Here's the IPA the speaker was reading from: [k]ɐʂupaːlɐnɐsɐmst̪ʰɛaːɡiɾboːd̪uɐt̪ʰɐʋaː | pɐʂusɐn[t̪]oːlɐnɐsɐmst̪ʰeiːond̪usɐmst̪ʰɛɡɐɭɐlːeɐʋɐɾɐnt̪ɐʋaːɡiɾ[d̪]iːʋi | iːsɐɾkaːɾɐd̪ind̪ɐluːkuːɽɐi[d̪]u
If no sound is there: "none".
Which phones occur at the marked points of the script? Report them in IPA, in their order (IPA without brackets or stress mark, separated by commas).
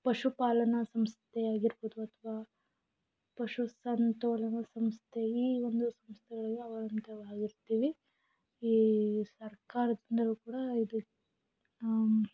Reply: p, t̪, t̪, d̪